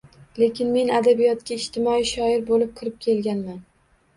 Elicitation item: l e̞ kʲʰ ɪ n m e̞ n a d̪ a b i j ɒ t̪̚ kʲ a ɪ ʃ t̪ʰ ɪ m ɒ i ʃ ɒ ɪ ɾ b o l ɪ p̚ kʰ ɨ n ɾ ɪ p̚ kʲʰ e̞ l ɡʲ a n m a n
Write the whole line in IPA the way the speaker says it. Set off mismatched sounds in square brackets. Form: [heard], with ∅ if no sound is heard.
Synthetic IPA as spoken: l e̞ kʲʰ ɪ n m e̞ n a d̪ a b i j ɒ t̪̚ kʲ a ɪ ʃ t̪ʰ ɪ m ɒ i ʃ ɒ ɪ ɾ b o l ɪ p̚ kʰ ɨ [∅] ɾ ɪ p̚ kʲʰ e̞ l ɡʲ a n m a n